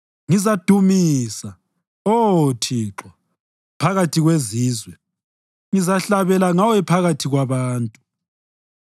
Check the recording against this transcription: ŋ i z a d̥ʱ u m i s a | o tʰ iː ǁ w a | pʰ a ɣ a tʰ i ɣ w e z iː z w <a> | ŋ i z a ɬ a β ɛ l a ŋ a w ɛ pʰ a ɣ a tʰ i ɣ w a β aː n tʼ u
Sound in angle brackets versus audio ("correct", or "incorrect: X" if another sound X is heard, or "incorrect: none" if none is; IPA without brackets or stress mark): incorrect: ɛ